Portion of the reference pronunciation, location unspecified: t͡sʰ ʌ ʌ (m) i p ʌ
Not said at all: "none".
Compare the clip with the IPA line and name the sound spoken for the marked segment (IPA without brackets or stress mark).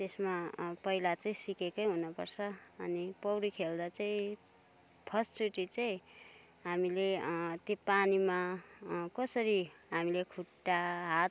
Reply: n